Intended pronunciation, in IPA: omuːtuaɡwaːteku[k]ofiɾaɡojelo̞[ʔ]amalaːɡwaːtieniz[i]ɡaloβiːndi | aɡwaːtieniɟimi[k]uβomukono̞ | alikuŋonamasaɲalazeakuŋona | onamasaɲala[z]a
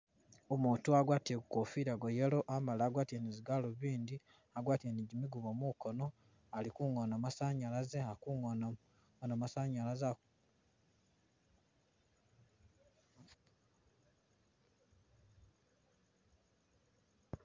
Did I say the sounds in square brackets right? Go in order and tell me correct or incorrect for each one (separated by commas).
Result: correct, correct, correct, incorrect, correct